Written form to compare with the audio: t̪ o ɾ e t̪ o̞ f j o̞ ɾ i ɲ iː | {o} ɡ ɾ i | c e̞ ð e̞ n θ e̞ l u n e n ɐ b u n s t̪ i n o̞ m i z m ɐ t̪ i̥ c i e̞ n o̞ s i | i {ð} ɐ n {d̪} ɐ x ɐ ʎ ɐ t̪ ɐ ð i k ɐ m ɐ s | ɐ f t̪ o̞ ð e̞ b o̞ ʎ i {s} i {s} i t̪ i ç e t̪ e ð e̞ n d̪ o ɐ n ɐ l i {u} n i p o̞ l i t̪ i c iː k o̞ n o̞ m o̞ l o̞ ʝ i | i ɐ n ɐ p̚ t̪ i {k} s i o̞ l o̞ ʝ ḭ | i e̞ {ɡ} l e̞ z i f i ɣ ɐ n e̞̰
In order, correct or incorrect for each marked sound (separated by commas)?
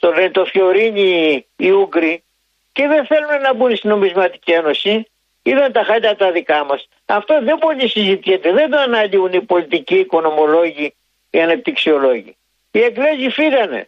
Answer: incorrect, correct, incorrect, correct, incorrect, correct, correct, correct